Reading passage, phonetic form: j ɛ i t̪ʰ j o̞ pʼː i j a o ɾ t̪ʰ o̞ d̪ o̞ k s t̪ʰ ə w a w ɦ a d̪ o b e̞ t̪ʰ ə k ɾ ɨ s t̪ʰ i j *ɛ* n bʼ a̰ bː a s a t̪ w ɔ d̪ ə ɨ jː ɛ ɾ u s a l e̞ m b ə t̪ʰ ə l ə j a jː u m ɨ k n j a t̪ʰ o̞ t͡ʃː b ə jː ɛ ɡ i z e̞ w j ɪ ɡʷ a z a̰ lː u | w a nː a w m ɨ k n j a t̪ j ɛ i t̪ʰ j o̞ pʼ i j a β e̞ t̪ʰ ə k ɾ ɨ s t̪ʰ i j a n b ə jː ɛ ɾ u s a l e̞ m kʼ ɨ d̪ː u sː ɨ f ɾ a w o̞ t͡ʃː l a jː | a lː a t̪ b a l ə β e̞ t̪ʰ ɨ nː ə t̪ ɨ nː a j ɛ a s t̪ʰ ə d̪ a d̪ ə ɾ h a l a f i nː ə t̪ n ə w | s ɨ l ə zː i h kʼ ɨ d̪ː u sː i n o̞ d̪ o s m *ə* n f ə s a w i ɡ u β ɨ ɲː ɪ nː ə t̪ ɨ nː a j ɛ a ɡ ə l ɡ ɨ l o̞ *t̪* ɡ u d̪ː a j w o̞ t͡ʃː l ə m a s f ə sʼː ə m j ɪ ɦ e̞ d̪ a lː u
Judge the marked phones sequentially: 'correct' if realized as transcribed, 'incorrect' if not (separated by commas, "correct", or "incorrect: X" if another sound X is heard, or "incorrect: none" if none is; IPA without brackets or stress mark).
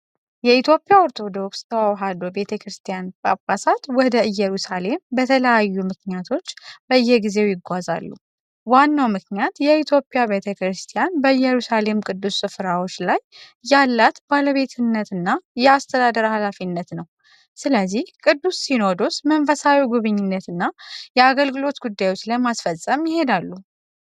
incorrect: a, correct, correct